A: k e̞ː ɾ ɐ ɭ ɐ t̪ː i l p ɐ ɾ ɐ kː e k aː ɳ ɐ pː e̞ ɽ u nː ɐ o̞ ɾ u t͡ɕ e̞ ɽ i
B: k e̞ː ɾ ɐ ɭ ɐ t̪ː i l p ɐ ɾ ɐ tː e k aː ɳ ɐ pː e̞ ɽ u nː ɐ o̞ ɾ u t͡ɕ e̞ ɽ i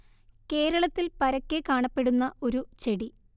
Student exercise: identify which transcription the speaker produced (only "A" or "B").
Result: A